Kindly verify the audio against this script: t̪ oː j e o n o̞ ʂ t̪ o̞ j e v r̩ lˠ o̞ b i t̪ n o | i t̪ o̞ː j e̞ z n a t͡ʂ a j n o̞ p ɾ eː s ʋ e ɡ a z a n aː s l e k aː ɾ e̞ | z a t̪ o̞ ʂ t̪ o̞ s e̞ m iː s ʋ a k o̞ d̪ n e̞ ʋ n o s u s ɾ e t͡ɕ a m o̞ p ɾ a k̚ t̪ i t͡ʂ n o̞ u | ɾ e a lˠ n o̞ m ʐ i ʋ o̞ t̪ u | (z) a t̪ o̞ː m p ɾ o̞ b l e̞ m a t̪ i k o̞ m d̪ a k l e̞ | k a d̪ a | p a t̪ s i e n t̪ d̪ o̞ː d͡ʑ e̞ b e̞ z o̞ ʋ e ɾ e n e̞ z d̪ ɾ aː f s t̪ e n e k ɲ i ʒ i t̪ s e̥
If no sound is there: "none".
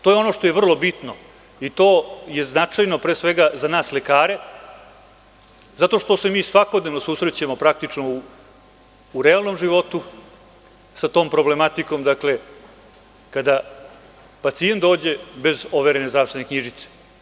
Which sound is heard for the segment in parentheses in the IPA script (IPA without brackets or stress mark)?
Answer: s